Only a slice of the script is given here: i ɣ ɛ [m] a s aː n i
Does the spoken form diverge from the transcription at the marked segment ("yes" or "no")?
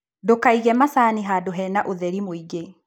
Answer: no